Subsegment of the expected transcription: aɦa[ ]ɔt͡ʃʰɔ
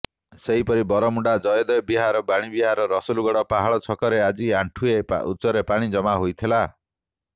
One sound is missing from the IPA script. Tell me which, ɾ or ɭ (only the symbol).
ɭ